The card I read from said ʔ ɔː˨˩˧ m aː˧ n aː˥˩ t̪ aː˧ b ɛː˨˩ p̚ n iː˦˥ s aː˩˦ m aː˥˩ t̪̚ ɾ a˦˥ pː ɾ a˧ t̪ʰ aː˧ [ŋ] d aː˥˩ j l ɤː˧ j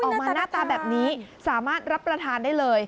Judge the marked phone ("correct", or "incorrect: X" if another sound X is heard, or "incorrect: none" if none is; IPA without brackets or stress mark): incorrect: n